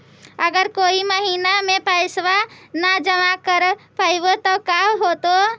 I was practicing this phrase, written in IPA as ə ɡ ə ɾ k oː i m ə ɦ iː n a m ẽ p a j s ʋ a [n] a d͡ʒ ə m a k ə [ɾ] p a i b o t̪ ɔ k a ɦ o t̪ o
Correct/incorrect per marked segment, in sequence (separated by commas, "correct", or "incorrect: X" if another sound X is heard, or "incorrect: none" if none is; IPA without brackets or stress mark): correct, correct